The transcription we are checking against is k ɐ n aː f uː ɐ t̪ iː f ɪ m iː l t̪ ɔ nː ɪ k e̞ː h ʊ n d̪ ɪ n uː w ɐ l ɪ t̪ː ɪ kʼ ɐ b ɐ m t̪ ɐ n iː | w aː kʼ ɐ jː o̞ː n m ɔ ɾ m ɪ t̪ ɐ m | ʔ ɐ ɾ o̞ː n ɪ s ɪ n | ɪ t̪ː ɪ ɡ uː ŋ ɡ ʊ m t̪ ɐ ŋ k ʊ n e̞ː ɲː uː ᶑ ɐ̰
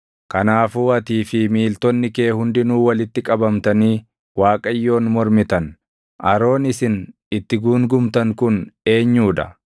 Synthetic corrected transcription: k ɐ n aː f uː ɐ t̪ iː f ɪ m iː l t̪ ɔ nː ɪ k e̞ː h ʊ n d̪ ɪ n uː w ɐ l ɪ t̪ː ɪ kʼ ɐ b ɐ m t̪ ɐ n iː | w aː kʼ ɐ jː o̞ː n m ɔ ɾ m ɪ t̪ ɐ n | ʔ ɐ ɾ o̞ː n ɪ s ɪ n | ɪ t̪ː ɪ ɡ uː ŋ ɡ ʊ m t̪ ɐ ŋ k ʊ n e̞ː ɲː uː ᶑ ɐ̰